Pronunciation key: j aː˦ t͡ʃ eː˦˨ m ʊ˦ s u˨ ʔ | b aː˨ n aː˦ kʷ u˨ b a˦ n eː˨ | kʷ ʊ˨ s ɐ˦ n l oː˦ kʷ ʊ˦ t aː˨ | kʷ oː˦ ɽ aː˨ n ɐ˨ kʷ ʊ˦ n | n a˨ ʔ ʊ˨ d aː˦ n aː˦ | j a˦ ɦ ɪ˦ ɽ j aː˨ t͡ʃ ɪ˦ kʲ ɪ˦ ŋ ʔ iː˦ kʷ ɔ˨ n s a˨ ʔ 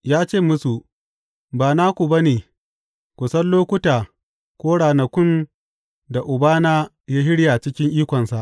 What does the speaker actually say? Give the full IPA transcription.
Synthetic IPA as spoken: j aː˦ t͡ʃ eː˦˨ m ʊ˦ s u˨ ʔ | b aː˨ n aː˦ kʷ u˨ b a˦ n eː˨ | kʷ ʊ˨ s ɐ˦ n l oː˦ kʷ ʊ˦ t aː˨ | kʷ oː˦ ɽ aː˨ n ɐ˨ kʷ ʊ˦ n | d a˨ ʔ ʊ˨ b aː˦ n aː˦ | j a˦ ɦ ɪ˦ ɽ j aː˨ t͡ʃ ɪ˦ kʲ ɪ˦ ŋ ʔ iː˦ kʷ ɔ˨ n s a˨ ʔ